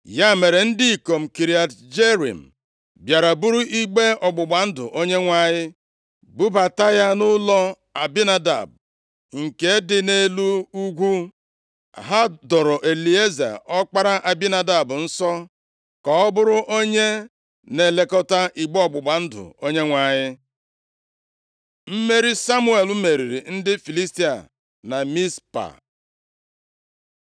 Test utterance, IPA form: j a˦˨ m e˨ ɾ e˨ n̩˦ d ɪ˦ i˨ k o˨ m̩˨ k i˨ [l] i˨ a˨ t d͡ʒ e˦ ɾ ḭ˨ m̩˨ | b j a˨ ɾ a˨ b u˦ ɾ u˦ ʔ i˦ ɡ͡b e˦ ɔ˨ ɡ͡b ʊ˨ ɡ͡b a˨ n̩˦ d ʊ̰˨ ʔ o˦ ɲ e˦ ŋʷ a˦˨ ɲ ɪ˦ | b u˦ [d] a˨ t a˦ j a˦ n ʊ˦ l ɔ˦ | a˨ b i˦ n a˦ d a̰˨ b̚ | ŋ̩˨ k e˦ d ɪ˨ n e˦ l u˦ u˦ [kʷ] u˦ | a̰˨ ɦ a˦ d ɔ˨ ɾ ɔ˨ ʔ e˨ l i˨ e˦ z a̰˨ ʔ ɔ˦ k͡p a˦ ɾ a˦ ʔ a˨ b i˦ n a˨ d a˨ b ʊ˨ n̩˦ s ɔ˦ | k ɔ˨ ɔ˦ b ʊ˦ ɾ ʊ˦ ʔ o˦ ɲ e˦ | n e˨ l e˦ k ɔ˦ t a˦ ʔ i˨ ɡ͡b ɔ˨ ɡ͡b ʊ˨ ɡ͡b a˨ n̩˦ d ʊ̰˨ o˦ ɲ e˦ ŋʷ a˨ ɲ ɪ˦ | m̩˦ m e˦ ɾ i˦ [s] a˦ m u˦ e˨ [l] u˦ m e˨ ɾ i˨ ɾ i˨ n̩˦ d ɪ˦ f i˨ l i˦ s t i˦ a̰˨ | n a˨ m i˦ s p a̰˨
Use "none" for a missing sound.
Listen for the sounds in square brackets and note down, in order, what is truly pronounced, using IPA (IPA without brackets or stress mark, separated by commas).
ɾ, b, ɡʷ, s, l